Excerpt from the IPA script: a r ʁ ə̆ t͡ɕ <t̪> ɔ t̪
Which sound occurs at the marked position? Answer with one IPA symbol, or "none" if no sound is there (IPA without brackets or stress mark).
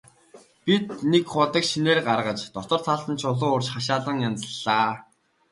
t̪